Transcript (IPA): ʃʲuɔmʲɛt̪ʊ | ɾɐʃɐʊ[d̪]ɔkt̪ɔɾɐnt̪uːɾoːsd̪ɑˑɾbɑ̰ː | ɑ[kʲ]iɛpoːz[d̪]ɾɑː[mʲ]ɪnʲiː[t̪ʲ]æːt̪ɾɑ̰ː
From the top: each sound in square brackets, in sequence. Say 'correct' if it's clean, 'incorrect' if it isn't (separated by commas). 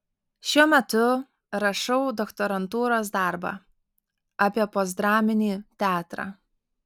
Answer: correct, incorrect, correct, correct, correct